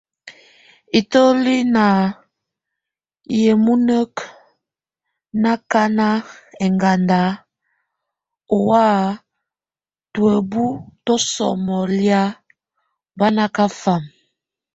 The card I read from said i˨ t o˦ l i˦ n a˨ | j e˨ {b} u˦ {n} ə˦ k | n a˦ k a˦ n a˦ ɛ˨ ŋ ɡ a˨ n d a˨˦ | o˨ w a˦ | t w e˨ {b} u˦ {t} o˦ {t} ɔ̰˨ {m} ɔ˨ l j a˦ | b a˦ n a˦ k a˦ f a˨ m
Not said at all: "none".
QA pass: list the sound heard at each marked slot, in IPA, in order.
m, n, b, t, s, m

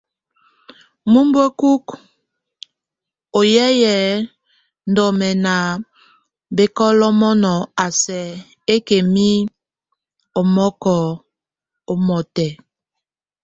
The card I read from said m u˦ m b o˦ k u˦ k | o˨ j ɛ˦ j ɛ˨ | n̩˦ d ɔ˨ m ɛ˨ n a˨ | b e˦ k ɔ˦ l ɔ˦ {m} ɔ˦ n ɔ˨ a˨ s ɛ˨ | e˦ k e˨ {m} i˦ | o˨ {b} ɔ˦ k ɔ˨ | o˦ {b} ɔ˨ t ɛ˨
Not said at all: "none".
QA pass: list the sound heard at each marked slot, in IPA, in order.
m, m, m, m

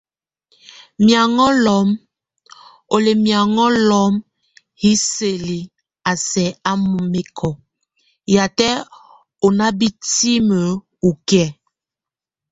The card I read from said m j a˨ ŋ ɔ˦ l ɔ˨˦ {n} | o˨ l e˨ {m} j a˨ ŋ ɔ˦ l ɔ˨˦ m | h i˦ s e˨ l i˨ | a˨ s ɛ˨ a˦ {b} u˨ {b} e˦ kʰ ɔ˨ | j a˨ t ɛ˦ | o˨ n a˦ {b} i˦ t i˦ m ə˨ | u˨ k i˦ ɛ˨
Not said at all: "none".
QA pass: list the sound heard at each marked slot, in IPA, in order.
m, m, m, m, b

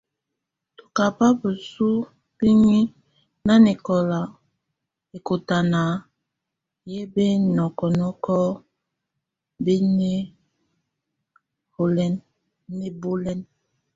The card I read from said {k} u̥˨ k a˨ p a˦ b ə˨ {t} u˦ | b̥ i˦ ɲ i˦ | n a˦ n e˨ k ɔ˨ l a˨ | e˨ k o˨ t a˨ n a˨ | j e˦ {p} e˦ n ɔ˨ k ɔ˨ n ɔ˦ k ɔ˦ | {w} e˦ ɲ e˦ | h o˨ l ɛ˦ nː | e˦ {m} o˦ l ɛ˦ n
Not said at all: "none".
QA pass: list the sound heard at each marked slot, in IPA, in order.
t, s, b, b, b

